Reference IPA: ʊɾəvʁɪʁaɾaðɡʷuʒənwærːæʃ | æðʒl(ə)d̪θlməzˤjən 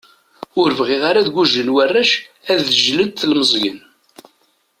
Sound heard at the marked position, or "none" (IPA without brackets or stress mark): ə